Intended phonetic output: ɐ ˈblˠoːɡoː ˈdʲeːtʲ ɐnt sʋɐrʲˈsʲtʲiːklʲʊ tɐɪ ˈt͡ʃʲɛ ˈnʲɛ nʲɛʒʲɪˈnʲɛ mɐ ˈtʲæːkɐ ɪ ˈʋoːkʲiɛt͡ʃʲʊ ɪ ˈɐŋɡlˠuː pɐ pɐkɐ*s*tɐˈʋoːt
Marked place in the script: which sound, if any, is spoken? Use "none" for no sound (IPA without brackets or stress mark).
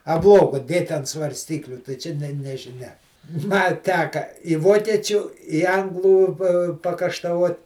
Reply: ʃ